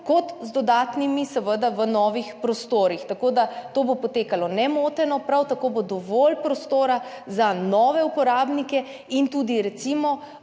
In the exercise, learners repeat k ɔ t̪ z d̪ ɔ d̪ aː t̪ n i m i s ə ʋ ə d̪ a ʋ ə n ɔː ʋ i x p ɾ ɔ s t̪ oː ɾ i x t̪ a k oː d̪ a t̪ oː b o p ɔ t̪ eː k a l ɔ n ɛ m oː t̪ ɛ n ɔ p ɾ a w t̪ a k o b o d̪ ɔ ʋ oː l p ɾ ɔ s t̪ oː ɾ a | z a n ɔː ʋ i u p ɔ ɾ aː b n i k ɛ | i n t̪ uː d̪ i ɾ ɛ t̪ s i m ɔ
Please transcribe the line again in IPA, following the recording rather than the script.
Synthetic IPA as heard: k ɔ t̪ z d̪ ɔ d̪ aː t̪ n i m i s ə ʋ ə d̪ a ʋ ə n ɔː ʋ i x p ɾ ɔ s t̪ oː ɾ i x t̪ a k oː d̪ a t̪ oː b o p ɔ t̪ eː k a l ɔ n ɛ m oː t̪ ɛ n ɔ p ɾ a w t̪ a k o b o d̪ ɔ ʋ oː l p ɾ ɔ s t̪ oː ɾ a | z a n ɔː ʋ ɛ u p ɔ ɾ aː b n i k ɛ | i n t̪ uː d̪ i ɾ ɛ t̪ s i m ɔ

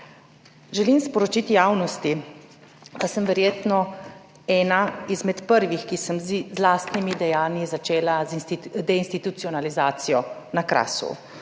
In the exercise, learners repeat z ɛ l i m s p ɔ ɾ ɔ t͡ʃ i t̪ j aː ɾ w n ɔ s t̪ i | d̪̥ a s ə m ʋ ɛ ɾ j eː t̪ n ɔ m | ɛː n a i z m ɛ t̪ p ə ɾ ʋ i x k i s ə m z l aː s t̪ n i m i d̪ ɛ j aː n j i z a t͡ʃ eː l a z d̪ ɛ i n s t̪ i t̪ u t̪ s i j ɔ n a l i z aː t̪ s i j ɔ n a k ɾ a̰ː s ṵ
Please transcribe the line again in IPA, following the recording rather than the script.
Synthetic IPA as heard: ʒ ɛ l i m s p ɔ ɾ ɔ t͡ʃ i t̪ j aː w n ɔ s t̪ i | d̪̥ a s ə m ʋ ɛ ɾ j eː t̪ n ɔ | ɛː n a i z m ɛ t̪ p ə ɾ ʋ i x k i s ə m z l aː s t̪ n i m i d̪ ɛ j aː n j i z a t͡ʃ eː l a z d̪ ɛ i n s t̪ i t̪ u t̪ s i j ɔ n a l i z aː t̪ s i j ɔ n a k ɾ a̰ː s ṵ

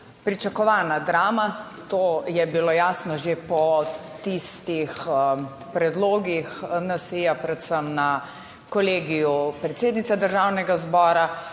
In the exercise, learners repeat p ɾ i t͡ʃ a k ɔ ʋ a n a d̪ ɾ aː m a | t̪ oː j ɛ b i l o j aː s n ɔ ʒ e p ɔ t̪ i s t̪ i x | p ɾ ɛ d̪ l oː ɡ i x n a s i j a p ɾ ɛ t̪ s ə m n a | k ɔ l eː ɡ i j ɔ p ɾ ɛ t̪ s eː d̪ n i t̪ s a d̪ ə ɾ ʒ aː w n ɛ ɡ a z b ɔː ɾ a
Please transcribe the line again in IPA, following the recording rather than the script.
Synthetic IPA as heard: p ɾ i t͡ʃ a k ɔ ʋ a n a d̪ ɾ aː m a | t̪ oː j ɛ b i l o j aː s n ɔ ʒ e p ɔ t̪ i s t̪ i x | p ɾ ɛ d̪ l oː ɡ i x n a s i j a p ɾ ɛ t̪ s ə m n a | k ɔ l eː ɡ i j u p ɾ ɛ t̪ s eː d̪ n i t̪ s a d̪ ə ɾ ʒ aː w n ɛ ɡ a z b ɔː ɾ a

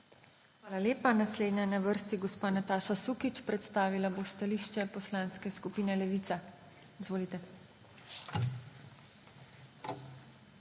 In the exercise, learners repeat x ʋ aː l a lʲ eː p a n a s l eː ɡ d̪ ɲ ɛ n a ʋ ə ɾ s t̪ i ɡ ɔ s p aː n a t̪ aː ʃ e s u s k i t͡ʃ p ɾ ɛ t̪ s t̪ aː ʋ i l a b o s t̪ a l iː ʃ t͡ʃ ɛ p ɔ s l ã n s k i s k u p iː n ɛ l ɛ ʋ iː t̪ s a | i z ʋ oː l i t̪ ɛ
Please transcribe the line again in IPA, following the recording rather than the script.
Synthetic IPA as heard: x ʋ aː l a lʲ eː p a n a s l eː d̪ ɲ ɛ n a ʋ ə ɾ s t̪ i ɡ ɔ s p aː n a t̪ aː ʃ a s u k i t͡ʃ p ɾ ɛ t̪ s t̪ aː ʋ i l a b o s t̪ a l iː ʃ t͡ʃ ɛ p ɔ s l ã n s k ɛ s k u p iː n ɛ l ɛ ʋ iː t̪ s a | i z ʋ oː l i t̪ ɛ

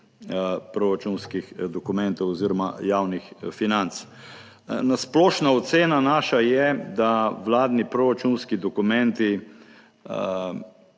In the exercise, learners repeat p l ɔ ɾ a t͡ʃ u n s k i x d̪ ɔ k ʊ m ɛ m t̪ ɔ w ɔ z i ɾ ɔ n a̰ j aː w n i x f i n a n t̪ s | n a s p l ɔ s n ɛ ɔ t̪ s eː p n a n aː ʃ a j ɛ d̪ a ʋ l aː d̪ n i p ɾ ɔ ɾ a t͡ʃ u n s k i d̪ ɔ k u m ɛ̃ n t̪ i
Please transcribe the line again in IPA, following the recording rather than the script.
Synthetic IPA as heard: p ɾ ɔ ɾ a t͡ʃ u n s k i x d̪ ɔ k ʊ m ɛ n t̪ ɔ w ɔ z i ɾ ɔ m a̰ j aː w n i x f i n a n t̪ s | n a s p l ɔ ʃ n a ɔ t̪ s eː n a n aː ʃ a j ɛ d̪ a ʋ l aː d̪ n i p ɾ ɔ ɾ a t͡ʃ u n s k i d̪ ɔ k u m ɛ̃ n t̪ i

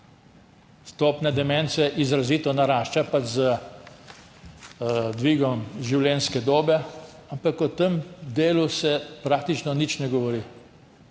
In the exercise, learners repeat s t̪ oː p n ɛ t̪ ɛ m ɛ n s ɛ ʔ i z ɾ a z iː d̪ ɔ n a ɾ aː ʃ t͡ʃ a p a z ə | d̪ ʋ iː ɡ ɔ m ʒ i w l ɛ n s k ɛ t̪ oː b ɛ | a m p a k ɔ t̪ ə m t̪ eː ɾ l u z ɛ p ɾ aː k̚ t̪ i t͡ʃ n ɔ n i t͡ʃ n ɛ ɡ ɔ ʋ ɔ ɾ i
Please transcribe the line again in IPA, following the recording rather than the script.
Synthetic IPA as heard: s t̪ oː p n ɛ d̪ ɛ m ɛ n s ɛ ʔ i z ɾ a z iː t̪ ɔ n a ɾ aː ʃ t͡ʃ a p a z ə | d̪ ʋ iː ɡ ɔ m ʒ i w l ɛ n s k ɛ d̪ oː b ɛ | a m p a k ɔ t̪ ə m d̪ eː l u s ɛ p ɾ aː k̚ t̪ i t͡ʃ n ɔ n i t͡ʃ n ɛ ɡ ɔ ʋ ɔ ɾ i

